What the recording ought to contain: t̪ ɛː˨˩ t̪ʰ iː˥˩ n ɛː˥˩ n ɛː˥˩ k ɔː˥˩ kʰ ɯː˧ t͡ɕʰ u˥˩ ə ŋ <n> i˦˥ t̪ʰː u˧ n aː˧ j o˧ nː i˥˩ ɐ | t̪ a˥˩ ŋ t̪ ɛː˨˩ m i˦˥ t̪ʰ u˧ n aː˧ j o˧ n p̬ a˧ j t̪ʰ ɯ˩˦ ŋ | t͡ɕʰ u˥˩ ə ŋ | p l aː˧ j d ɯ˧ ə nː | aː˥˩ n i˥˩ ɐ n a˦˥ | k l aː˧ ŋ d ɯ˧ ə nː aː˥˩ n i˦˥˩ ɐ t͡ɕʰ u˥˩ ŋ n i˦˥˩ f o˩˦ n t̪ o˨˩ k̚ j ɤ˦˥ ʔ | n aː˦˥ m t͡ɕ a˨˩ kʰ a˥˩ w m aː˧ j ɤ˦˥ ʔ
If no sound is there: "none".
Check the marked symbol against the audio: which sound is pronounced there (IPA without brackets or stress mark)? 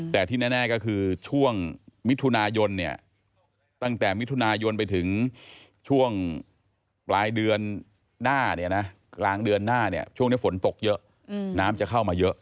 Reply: m